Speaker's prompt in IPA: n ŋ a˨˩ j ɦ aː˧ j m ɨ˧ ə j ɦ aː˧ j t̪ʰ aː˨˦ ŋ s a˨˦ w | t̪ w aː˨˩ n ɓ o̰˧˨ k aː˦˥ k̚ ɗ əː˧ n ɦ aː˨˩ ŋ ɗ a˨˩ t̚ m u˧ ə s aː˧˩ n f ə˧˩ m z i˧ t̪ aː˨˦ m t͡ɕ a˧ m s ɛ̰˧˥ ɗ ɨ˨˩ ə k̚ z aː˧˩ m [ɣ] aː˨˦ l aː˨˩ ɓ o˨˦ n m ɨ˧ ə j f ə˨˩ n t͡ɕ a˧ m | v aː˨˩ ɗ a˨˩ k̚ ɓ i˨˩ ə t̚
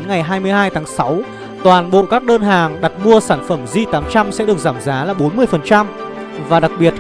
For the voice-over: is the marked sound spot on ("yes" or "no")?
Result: no